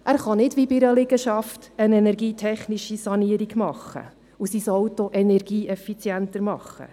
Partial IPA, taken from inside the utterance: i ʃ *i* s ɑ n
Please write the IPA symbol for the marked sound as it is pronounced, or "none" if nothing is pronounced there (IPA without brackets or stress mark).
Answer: i